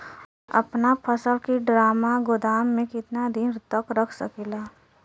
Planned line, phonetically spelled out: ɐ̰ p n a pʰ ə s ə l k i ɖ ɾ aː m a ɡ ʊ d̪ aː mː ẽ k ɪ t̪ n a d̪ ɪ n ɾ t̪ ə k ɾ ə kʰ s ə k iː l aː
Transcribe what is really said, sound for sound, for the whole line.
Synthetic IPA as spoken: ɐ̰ p n a pʰ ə s ə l k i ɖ ɾ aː m a ɡ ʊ d̪ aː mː ẽ k ɪ t̪ n a d̪ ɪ n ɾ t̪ ə k ɾ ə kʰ s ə k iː l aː